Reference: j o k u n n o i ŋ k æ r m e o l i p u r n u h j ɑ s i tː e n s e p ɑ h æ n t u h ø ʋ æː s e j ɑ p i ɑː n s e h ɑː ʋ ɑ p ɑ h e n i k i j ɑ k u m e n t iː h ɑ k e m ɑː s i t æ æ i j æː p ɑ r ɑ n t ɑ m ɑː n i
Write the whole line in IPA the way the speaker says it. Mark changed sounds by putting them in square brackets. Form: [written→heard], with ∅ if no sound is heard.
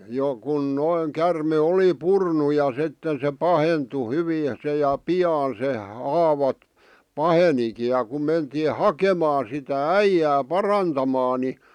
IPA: j o k u n n o i ŋ k æ r m e o l i p u r n u [h→∅] j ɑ s i tː e n s e p ɑ h [æ→e] n t u h [ø→y] ʋ [æː→iː] s e j ɑ p i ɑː n s e h ɑː ʋ ɑ p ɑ h e n i k i j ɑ k u m e n t iː h ɑ k e m ɑː s i t æ æ i j æː p ɑ r ɑ n t ɑ m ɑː n i